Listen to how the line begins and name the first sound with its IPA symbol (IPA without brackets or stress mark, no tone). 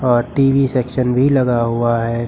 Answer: ɔː